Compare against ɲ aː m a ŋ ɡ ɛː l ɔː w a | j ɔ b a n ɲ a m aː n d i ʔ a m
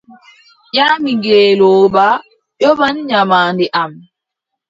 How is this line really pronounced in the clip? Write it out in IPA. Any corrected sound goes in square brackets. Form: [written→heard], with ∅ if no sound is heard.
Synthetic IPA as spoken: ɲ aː m [a→i] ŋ ɡ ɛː l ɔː [w→b] a | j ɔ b a n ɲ a m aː n d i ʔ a m